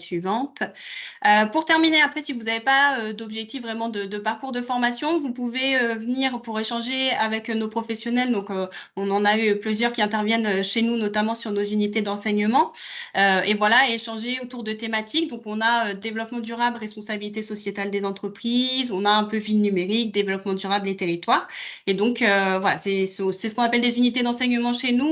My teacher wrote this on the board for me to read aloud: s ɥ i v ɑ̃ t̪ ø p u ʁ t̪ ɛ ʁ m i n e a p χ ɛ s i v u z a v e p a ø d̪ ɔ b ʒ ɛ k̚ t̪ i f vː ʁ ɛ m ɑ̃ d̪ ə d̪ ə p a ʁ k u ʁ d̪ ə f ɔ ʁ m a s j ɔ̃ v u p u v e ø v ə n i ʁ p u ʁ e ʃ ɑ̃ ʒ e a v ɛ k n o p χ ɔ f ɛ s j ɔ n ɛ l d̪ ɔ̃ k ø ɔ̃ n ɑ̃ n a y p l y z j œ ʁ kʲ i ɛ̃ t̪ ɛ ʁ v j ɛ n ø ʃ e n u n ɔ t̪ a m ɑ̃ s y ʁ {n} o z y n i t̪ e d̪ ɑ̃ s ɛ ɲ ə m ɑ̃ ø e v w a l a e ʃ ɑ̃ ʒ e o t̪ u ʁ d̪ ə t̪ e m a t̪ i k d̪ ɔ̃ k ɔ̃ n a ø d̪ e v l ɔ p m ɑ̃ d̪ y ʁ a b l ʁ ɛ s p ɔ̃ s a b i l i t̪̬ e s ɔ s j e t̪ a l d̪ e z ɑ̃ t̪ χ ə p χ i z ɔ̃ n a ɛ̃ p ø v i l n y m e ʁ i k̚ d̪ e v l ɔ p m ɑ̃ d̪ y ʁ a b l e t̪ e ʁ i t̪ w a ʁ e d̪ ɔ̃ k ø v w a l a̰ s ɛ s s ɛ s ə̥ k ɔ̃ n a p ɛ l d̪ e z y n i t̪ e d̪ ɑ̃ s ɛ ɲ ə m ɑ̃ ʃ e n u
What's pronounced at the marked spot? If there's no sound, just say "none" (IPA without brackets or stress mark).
n